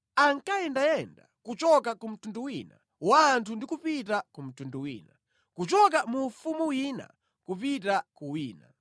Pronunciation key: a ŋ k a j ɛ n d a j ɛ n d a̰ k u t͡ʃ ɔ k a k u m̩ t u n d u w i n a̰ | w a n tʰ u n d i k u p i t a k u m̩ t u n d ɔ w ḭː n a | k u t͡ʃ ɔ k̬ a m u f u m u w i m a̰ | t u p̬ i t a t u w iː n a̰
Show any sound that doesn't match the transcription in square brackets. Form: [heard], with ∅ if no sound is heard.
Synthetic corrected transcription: a ŋ k a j ɛ n d a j ɛ n d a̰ k u t͡ʃ ɔ k a k u m̩ t u n d u w i n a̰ | w a n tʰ u n d i k u p i t a k u m̩ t u n d [u] w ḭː n a | k u t͡ʃ ɔ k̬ a m u f u m u w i [n] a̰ | [k] u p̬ i t a [k] u w iː n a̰